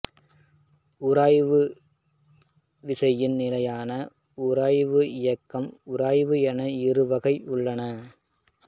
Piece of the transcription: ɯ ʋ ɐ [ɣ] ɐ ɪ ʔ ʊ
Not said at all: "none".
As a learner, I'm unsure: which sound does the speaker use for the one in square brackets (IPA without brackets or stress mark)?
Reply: ɣ